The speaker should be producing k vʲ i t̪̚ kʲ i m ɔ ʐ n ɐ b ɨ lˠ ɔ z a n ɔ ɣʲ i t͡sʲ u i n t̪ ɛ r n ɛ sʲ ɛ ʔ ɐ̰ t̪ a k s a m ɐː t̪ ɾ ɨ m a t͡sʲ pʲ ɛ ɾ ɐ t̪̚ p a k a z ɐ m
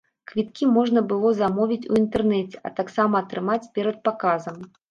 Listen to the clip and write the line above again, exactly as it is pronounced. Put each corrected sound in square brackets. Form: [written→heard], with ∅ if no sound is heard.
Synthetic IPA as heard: k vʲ i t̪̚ kʲ i m ɔ ʐ n ɐ b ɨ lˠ ɔ z a [n→m] ɔ [ɣʲ→vʲ] i t͡sʲ u i n t̪ ɛ r n ɛ [sʲ→t͡sʲ] ɛ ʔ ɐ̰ t̪ a k s a m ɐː t̪ ɾ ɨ m a t͡sʲ pʲ ɛ ɾ ɐ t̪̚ p a k a z ɐ m